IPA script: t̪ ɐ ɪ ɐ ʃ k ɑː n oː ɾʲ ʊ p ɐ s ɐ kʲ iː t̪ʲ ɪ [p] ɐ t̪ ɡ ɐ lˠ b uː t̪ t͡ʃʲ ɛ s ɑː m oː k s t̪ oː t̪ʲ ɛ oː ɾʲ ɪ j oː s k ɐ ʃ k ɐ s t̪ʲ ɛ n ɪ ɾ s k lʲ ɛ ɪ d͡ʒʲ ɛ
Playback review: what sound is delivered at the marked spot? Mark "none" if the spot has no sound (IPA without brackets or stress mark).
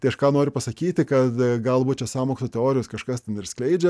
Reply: k